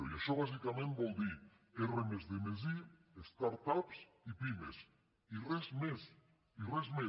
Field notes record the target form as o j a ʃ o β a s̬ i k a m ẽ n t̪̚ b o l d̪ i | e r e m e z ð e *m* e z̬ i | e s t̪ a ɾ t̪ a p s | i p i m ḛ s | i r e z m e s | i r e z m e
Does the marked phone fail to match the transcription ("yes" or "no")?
no